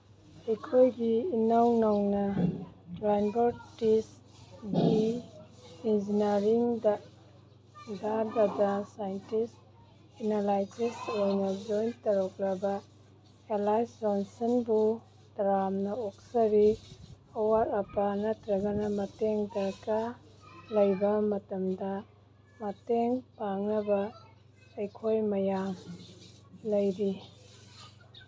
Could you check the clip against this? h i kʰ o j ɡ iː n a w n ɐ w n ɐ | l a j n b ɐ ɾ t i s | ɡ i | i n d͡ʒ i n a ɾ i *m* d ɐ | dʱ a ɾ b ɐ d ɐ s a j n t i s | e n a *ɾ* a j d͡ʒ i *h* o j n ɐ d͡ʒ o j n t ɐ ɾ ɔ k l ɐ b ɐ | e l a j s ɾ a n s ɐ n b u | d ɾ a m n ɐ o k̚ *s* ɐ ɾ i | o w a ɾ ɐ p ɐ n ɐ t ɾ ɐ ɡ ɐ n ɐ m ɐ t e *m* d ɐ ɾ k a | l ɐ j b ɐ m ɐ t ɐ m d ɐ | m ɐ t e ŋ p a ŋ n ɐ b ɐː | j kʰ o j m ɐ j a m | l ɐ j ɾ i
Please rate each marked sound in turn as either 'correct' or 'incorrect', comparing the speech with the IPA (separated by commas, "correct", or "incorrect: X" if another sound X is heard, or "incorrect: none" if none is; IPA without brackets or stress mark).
incorrect: ŋ, incorrect: l, incorrect: s, correct, incorrect: ŋ